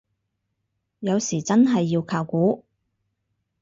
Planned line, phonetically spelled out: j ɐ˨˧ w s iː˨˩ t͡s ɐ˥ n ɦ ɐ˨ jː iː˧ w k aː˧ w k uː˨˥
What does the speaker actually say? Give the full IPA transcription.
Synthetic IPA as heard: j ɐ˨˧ w s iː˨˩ t͡s ɐ˥ n ɦ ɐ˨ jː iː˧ w kʰ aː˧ w k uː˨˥